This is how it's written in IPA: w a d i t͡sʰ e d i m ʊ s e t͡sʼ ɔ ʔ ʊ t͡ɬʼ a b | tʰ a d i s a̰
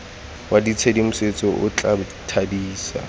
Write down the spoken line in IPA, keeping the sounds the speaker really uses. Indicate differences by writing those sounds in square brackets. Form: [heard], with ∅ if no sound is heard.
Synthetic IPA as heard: w a d i t͡sʰ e d i m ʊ s e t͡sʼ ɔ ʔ ʊ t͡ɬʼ a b | tʰ a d [iː] s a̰